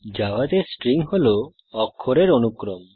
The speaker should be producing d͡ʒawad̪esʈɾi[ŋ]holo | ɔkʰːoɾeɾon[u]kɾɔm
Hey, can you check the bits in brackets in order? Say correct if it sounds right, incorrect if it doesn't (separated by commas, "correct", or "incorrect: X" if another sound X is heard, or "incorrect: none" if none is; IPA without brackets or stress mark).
correct, correct